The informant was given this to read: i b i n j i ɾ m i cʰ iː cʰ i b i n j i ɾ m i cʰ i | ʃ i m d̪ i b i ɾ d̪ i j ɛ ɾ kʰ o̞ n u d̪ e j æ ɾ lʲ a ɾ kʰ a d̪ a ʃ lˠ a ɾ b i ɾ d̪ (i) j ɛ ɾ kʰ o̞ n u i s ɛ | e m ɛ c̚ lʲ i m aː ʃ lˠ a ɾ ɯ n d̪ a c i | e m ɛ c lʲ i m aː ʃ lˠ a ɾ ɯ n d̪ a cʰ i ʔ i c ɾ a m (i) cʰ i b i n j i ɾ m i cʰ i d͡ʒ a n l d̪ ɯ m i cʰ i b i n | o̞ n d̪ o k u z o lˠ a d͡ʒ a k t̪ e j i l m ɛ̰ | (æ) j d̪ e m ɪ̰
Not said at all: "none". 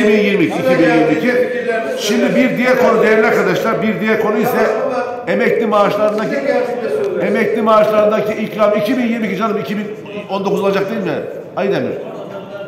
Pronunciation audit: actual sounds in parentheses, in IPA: i, i, a

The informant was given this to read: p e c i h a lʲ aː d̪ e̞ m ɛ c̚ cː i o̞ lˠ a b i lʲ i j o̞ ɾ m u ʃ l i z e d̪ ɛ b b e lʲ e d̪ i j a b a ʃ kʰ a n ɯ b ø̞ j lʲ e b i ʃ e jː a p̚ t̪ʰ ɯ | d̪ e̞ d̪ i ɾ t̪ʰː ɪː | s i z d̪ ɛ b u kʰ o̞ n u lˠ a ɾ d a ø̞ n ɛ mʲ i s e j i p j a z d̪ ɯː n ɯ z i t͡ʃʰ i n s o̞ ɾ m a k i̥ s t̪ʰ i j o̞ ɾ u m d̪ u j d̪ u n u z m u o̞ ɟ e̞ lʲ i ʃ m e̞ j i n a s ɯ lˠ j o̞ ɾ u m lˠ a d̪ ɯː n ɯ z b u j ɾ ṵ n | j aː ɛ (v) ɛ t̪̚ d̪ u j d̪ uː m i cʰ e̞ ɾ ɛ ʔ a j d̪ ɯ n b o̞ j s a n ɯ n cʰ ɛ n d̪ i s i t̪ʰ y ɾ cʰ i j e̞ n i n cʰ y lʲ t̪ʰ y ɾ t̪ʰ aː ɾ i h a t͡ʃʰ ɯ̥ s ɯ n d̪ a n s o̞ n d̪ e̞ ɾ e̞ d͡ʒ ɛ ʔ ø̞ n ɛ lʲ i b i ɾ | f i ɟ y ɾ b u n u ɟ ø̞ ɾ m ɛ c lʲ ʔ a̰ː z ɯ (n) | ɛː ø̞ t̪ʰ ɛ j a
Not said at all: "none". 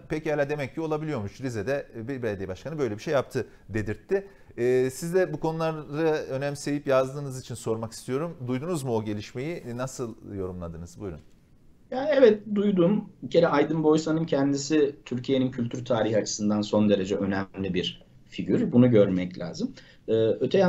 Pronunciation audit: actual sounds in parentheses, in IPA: v, m

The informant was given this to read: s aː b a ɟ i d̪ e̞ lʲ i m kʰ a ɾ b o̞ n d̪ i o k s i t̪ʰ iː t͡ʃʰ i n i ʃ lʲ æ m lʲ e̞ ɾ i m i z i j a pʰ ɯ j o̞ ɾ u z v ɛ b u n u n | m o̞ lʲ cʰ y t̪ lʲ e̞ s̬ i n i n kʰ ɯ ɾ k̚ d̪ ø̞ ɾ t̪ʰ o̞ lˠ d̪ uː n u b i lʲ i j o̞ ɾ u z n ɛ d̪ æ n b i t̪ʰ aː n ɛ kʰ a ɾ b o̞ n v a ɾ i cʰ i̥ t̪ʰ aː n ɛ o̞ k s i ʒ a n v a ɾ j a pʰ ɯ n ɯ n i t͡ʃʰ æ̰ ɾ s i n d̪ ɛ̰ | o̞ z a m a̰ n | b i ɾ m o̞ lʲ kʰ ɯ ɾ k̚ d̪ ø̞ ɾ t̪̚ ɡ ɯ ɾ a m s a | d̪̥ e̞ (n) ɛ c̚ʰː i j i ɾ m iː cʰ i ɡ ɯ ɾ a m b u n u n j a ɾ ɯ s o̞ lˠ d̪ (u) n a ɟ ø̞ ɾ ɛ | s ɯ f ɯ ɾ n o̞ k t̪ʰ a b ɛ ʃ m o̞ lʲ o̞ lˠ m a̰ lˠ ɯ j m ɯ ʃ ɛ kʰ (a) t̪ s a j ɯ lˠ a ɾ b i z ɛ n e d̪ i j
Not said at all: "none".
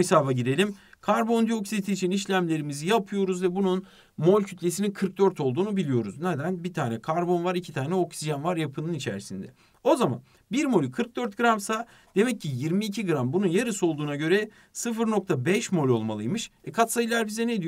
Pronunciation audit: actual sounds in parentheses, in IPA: m, uː, a

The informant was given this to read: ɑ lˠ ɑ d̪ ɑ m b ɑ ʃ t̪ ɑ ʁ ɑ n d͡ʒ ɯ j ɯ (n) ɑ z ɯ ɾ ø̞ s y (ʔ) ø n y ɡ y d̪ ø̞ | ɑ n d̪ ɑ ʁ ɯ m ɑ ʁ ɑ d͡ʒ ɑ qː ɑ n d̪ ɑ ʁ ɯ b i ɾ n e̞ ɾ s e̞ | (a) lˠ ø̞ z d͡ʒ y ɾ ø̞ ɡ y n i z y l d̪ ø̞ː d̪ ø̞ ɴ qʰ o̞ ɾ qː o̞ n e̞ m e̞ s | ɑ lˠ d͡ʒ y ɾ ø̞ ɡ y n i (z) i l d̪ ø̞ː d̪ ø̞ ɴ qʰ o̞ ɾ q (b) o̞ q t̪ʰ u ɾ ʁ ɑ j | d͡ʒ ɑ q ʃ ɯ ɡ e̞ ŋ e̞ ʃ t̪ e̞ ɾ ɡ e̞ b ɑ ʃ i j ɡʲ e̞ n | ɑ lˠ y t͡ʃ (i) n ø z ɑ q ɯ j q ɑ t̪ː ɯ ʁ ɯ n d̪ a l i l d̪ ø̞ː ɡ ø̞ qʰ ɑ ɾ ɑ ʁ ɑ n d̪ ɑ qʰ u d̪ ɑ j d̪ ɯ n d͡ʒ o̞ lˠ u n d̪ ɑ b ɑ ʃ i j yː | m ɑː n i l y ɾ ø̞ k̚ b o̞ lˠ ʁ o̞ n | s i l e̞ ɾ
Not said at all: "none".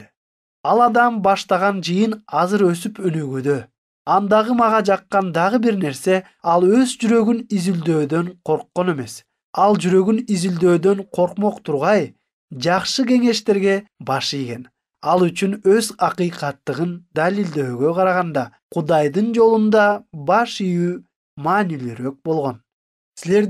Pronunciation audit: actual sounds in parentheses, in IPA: n, p, ɑ, z, m, y

